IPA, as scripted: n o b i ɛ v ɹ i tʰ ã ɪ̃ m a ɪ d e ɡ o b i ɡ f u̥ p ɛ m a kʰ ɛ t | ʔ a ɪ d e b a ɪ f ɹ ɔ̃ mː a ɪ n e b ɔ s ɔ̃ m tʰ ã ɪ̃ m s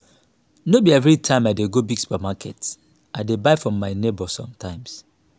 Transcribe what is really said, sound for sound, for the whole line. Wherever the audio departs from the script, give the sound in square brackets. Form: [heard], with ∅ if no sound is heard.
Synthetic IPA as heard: n o b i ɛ v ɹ i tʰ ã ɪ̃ m a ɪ d e ɡ o b i ɡ [s] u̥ p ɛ m a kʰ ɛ t | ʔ a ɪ d e b a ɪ f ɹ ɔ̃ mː a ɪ n e b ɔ s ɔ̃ m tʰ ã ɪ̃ m s

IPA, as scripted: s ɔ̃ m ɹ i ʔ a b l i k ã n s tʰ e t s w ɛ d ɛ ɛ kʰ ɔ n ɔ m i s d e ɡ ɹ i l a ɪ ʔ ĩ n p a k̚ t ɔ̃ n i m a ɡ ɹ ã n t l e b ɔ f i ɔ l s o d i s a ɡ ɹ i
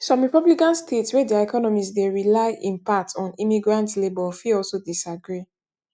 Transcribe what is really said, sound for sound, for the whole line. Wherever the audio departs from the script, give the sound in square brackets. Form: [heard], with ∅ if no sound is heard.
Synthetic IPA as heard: s ɔ̃ m ɹ i [p] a b l i k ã n s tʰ e t s w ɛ d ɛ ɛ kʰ ɔ n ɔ m i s d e [∅] ɹ i l a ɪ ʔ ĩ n p a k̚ t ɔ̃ n i m [i] ɡ ɹ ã n t l e b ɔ f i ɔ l s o d i s a ɡ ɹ i

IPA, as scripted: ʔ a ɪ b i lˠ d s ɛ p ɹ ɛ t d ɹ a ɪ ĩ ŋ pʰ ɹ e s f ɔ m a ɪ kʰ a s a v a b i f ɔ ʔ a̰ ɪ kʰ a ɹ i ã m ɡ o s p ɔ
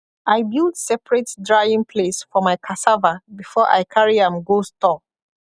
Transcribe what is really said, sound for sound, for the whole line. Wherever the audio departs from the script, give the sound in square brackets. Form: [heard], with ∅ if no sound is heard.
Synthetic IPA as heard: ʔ a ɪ b i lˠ d s ɛ p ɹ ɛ t d ɹ a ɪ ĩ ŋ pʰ [l] e s f ɔ m a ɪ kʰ a s a v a b i f ɔ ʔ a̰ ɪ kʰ a ɹ i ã m ɡ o s [t] ɔ

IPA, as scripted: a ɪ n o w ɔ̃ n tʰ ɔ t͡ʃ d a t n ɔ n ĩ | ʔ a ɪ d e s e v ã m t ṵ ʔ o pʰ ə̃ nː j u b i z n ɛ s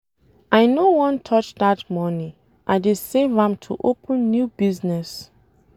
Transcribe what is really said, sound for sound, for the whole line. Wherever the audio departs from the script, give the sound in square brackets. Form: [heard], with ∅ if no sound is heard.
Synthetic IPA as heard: a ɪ n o w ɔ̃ n tʰ ɔ t͡ʃ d a t [m] ɔ n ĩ | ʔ a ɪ d e s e v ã m [tʰ] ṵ ʔ o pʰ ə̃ nː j u b i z n ɛ s

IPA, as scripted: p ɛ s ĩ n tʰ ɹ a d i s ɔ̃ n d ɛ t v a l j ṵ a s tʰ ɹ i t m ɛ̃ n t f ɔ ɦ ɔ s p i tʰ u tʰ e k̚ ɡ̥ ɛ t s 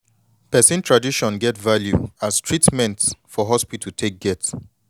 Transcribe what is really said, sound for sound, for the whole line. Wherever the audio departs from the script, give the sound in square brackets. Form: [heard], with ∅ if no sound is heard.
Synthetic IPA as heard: p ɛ s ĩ n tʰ ɹ a d i [ʃ] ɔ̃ n [ɡ] ɛ t v a l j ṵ a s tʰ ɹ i t m ɛ̃ n t f ɔ ɦ ɔ s p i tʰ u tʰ e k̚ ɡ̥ ɛ t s

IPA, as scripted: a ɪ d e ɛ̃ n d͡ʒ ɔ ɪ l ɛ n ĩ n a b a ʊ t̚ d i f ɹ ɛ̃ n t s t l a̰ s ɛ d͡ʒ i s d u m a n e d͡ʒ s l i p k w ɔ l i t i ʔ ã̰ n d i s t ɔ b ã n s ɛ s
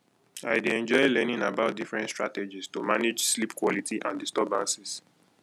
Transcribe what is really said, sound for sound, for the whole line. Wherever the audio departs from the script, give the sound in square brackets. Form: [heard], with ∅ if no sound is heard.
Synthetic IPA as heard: a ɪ d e ɛ̃ n d͡ʒ ɔ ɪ l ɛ n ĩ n a b a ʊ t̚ d i f ɹ ɛ̃ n t s t [ɹ] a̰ [t] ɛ d͡ʒ i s [t] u m a n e d͡ʒ s l i p k w ɔ l i t i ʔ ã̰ n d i s t ɔ b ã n s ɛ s

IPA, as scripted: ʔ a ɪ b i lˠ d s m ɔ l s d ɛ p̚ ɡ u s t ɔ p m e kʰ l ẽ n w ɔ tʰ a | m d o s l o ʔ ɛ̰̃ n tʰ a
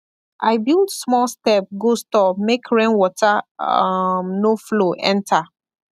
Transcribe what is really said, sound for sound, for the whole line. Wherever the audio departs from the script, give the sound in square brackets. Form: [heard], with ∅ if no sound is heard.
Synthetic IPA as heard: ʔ a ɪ b i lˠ d s m ɔ l s [t] ɛ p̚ ɡ [o] s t ɔ p m e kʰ [ɹ] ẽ n w ɔ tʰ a | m [n] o [f] l o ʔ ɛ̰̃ n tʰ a

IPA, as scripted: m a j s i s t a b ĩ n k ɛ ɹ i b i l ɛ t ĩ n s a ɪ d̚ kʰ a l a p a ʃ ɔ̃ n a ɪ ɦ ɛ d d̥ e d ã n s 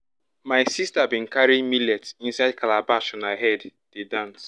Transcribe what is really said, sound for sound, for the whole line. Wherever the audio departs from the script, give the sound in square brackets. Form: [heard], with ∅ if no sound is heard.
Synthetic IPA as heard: m a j s i s t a b ĩ n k [a] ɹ i [m] i l ɛ t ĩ n s a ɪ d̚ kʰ a l a [b] a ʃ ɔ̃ n a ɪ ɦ ɛ d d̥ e d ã n s

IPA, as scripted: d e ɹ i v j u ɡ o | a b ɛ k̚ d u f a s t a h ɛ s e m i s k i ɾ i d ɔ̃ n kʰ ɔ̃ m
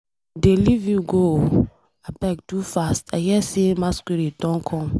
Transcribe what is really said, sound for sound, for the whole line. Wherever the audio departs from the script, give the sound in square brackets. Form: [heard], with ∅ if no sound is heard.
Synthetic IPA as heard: d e [l] i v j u ɡ o | a b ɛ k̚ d u f a s t a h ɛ s e m [a] s k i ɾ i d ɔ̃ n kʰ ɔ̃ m

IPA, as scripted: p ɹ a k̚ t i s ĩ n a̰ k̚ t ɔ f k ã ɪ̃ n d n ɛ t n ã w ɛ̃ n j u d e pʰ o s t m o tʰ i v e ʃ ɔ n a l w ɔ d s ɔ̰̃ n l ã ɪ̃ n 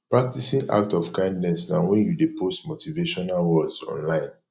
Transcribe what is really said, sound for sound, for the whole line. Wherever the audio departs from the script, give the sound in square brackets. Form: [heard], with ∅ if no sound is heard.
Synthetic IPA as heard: p ɹ a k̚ t i s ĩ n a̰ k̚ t ɔ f k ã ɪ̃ n d n ɛ [s] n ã w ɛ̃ n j u d e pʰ o s t m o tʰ i v e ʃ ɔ n a l w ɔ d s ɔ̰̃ n l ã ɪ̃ n

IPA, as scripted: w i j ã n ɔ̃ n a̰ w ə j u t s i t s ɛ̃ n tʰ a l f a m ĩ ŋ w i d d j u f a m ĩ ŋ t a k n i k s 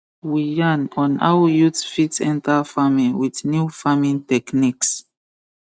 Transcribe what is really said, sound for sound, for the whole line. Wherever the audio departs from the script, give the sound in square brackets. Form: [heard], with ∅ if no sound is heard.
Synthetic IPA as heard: w i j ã n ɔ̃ n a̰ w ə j u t [f] i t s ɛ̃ n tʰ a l f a m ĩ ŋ w i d [n] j u f a m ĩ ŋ t [ɛ] k n i k s

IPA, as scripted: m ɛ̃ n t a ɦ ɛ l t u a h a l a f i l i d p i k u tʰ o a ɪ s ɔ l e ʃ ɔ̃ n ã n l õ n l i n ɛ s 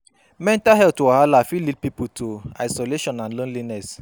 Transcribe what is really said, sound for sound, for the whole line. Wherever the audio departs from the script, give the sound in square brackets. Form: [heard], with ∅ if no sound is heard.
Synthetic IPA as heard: m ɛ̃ n t a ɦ ɛ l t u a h a l a f i l i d p i [p] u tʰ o a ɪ s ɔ l e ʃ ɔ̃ n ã n l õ n l i n ɛ s

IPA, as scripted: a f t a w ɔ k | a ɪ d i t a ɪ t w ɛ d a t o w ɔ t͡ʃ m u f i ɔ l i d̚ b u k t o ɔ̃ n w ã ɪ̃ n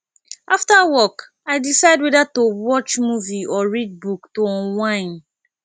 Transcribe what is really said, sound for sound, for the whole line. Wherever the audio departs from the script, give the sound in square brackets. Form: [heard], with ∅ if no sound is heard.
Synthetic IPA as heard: a f t a w ɔ k | a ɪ d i [s] a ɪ [d] w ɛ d a t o w ɔ t͡ʃ m u [v] i ɔ [ɹ] i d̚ b u k t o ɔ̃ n w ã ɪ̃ n

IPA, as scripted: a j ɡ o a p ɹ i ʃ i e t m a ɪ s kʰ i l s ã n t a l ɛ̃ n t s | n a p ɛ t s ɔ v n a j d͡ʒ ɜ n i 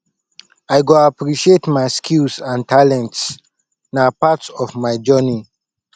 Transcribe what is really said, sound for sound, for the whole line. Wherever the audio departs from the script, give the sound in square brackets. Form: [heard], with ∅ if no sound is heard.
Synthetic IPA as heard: a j ɡ o a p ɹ i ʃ i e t m a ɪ s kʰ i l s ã n t a l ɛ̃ n t s | n a p [a] t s ɔ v [m] a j d͡ʒ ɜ n i

